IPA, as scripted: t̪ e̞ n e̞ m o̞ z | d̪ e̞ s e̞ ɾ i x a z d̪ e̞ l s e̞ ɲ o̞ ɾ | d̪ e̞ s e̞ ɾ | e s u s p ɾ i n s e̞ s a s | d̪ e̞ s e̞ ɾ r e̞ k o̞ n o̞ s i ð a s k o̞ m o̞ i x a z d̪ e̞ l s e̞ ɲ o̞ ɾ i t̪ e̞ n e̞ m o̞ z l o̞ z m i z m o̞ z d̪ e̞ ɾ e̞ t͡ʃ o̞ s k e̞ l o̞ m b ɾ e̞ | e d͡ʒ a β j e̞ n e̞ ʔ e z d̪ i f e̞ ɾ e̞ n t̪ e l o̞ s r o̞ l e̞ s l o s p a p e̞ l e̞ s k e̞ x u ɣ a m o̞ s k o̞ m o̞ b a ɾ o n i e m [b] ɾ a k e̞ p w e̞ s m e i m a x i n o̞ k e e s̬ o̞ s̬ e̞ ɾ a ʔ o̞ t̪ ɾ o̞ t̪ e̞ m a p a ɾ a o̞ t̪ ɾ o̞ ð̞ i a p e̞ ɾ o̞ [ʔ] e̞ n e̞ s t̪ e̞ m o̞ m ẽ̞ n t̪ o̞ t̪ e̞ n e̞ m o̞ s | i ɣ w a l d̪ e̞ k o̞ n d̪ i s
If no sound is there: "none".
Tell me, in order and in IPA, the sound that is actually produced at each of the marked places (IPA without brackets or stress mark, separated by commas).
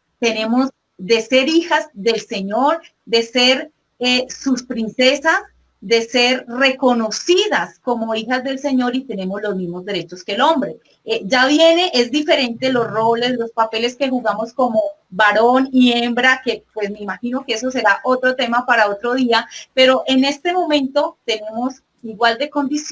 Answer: b, ʔ